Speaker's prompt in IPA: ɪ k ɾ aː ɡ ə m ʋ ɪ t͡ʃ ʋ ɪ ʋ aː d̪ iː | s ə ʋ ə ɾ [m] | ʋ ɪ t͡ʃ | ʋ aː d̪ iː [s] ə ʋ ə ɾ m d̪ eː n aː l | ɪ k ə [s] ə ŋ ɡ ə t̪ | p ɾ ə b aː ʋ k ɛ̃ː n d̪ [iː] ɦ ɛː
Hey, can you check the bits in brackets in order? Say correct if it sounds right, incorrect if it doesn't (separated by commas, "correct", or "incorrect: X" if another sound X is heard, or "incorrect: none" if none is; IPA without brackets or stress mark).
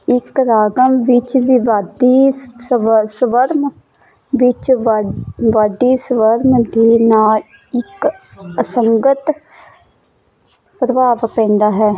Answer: correct, correct, correct, incorrect: aː